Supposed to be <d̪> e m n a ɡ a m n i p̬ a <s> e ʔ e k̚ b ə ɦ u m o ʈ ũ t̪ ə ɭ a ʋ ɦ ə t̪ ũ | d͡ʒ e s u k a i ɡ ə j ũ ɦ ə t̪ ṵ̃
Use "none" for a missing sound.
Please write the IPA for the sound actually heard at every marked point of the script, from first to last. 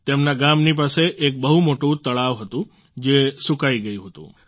t̪, s

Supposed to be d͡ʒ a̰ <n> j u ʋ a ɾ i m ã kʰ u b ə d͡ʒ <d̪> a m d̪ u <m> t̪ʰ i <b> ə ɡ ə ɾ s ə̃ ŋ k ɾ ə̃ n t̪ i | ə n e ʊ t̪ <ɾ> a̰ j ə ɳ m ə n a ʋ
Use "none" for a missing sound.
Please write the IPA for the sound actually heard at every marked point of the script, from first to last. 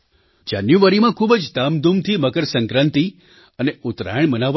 n, d̪, m, m, ɾ

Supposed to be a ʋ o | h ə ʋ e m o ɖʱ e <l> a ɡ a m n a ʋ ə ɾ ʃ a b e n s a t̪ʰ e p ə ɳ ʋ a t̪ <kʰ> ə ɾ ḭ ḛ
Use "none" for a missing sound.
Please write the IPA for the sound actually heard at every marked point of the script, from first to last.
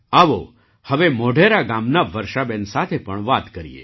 ɾ, k

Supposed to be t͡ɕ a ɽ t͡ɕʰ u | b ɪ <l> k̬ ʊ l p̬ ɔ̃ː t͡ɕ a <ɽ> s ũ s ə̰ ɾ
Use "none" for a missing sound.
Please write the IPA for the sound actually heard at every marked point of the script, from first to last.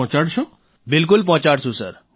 l, ɽ

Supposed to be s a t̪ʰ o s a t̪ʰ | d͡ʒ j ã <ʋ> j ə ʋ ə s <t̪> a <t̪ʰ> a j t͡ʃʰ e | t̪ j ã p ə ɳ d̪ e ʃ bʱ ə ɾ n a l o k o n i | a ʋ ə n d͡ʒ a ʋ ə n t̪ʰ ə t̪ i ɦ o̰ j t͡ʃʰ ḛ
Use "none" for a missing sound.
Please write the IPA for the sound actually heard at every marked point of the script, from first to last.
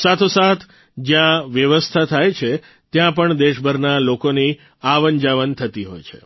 ʋ, t̪ʰ, t̪ʰ

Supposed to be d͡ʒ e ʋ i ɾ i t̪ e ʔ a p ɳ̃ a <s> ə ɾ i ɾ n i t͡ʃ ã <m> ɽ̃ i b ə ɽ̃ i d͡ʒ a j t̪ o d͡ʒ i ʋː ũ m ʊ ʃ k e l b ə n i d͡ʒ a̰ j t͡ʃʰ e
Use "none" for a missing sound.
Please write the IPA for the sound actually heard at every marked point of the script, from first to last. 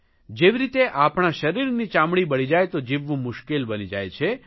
ʃ, m

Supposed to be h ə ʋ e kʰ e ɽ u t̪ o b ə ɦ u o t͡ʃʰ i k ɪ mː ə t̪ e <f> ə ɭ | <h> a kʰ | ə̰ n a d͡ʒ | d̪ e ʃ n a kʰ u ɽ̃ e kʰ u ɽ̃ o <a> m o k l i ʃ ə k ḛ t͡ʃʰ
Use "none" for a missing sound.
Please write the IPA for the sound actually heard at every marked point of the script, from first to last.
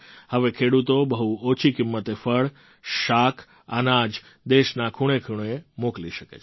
f, ʃ, e

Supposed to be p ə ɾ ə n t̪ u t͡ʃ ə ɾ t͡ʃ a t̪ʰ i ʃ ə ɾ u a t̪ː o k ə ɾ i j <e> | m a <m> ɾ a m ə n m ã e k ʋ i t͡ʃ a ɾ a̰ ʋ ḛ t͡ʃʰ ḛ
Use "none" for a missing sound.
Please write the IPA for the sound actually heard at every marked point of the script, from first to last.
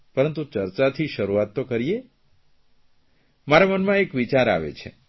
e, none

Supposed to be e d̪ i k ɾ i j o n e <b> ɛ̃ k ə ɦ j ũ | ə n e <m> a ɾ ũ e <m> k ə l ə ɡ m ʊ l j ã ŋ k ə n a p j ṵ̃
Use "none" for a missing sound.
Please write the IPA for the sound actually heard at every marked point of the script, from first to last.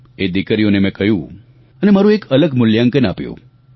m, m, none

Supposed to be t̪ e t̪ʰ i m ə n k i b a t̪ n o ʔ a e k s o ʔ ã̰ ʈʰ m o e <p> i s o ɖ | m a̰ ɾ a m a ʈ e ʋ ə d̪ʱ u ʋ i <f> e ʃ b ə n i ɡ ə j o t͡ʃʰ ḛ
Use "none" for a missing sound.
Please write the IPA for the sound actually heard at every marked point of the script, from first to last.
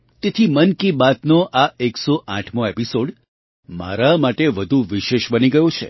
p, ʃ

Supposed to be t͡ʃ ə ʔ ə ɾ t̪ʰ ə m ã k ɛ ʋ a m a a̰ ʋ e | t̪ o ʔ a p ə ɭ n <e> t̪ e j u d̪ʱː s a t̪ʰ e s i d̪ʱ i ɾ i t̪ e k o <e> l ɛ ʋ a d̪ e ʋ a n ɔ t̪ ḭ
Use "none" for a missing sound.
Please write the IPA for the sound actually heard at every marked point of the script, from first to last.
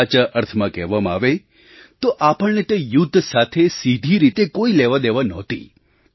e, i

